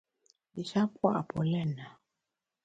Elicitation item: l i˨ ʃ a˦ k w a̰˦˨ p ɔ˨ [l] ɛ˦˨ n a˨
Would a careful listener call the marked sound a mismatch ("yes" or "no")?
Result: no